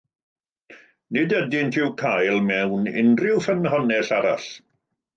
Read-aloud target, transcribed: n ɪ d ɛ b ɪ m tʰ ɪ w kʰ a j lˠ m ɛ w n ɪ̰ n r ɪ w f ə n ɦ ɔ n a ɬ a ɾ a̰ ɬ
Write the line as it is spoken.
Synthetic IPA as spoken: n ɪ d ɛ d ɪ n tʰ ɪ w kʰ a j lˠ m ɛ w n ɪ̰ n r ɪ w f ə n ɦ ɔ n ɛ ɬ a ɾ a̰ ɬ